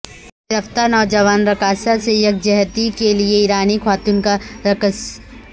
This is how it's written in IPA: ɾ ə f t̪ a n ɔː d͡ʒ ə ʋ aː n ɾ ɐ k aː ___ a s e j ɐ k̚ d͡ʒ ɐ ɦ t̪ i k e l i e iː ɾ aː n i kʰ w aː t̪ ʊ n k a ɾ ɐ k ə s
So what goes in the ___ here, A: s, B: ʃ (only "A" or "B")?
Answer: A